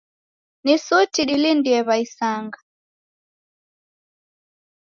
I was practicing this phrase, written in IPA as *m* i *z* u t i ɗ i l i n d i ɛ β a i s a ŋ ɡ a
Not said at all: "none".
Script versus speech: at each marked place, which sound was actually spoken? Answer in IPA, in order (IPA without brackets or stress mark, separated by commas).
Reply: n, s